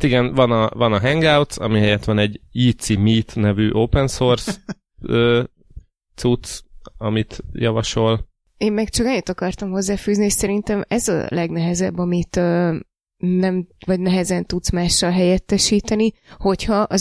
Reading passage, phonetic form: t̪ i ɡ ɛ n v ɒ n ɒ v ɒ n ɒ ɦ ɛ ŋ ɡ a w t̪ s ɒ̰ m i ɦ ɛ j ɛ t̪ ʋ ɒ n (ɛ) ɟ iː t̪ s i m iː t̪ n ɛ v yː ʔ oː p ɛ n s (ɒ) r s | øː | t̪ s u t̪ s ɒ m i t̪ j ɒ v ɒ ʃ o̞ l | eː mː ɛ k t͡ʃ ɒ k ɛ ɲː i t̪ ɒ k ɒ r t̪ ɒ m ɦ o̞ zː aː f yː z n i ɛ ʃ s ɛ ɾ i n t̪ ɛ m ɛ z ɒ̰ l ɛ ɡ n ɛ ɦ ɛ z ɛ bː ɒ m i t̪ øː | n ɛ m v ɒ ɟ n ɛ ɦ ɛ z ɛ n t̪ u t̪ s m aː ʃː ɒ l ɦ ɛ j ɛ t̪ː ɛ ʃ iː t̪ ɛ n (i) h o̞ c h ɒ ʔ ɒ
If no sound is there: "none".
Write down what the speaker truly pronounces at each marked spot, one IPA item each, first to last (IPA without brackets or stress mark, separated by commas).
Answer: ɛ, o, i